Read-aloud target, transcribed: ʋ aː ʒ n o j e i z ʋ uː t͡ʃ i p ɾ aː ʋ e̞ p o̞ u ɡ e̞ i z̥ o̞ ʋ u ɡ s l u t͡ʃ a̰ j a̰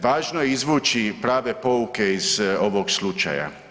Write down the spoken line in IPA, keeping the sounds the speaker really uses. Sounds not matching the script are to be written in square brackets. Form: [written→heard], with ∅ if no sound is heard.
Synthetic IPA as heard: ʋ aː ʒ n o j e i z ʋ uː t͡ʃ i p ɾ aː ʋ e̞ p o̞ u [ɡ→k] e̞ i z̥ o̞ ʋ [u→o] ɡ s l u t͡ʃ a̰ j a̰